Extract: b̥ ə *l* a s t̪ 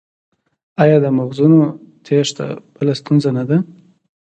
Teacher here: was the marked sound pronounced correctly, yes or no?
yes